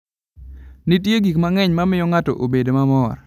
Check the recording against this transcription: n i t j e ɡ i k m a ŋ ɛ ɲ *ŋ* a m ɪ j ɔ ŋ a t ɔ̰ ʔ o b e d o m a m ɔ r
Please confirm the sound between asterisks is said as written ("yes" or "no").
no